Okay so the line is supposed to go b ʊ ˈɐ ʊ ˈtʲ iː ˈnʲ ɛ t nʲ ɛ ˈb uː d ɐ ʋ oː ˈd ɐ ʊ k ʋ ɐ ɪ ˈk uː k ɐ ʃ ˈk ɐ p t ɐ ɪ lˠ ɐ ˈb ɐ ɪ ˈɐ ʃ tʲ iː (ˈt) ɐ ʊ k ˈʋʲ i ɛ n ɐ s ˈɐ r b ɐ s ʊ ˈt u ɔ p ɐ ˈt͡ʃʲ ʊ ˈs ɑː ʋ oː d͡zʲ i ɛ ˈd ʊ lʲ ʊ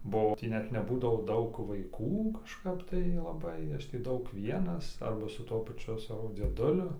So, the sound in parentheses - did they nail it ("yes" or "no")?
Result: no